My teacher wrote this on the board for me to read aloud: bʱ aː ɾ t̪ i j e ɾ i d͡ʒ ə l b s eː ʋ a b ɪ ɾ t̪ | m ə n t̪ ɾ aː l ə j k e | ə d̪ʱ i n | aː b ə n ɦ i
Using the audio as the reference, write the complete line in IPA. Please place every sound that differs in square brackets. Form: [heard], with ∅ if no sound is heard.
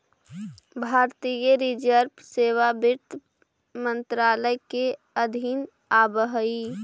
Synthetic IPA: bʱ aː ɾ t̪ i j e ɾ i d͡ʒ ə [ɾ] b s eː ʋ a b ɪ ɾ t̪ | m ə n t̪ ɾ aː l ə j k e | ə d̪ʱ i n | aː b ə [∅] ɦ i